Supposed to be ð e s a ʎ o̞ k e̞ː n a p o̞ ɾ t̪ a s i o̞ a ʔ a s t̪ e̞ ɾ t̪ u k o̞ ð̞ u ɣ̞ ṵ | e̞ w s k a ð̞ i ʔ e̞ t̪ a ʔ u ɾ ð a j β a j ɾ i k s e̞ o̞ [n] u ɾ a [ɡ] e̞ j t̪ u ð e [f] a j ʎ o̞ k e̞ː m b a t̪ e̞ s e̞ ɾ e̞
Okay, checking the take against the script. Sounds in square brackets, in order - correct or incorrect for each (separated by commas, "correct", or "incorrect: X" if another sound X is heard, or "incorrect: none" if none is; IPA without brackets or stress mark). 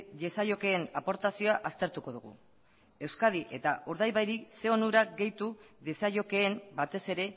correct, correct, incorrect: s